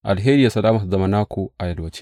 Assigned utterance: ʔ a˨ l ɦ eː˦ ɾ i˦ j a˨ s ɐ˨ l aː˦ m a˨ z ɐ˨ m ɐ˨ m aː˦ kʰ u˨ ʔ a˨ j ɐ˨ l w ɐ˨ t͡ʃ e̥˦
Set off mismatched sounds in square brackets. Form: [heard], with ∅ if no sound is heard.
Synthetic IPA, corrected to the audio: ʔ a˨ l ɦ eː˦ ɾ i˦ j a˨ s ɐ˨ l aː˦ m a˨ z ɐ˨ m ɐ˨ [n] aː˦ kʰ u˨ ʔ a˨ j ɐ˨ l w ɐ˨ t͡ʃ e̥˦

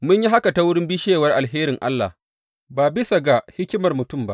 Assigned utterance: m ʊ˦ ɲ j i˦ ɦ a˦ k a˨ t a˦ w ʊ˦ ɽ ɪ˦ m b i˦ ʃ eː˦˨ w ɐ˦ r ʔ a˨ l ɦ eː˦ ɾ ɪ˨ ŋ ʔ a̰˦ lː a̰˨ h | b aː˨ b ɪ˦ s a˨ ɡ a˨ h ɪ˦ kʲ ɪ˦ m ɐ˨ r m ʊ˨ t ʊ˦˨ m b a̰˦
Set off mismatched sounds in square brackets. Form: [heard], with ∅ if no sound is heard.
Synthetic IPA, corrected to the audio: m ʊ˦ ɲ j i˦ ɦ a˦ k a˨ t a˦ w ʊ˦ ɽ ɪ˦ m b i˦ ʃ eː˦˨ w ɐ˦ r ʔ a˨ l ɦ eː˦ ɾ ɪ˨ ŋ ʔ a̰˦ lː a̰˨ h | b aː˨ b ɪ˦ s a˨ ɡ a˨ h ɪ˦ kʲ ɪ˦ m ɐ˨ r m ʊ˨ t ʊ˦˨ m b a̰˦

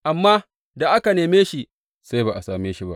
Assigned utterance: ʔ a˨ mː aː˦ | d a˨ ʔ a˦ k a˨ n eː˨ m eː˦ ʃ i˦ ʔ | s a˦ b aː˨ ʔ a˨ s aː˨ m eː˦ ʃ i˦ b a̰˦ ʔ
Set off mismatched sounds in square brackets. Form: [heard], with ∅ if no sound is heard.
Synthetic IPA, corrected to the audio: ʔ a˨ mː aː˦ | d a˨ ʔ a˦ k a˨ n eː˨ m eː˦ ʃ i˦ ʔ | s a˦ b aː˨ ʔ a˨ s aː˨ m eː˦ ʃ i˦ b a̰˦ ʔ

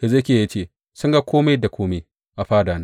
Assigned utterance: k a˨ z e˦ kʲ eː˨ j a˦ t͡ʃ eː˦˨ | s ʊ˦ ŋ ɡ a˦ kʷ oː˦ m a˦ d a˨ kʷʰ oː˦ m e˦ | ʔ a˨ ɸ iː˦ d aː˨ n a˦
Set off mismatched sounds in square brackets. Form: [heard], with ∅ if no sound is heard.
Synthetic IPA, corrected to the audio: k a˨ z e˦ kʲ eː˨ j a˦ t͡ʃ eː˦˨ | s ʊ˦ ŋ ɡ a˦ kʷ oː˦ m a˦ d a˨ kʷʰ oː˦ m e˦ | ʔ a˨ ɸ [aː˦] d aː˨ n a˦

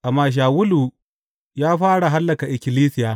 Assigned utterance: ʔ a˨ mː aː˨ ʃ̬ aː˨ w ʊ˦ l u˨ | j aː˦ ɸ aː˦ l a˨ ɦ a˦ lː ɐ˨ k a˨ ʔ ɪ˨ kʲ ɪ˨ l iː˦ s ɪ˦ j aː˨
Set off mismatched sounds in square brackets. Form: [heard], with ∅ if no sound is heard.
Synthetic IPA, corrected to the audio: ʔ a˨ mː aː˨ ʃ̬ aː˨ w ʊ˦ l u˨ | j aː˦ ɸ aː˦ [ɽ] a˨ ɦ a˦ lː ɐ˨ k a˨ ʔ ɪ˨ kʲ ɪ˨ l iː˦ s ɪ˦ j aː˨

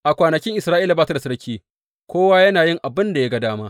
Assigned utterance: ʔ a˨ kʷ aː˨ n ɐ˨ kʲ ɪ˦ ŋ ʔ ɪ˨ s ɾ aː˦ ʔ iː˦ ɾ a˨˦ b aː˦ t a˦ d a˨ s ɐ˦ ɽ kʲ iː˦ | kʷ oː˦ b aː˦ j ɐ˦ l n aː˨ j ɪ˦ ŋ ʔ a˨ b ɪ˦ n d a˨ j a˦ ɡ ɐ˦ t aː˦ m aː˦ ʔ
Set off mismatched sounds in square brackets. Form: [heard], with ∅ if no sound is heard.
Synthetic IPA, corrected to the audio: ʔ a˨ kʷ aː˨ n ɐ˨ kʲ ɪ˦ ŋ ʔ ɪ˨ s ɾ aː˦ ʔ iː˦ [l] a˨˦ b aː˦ t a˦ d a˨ s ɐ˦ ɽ kʲ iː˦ | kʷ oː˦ [w] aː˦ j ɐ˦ [∅] n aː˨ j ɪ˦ ŋ ʔ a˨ b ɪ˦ n d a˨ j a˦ ɡ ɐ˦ [d] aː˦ m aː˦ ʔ

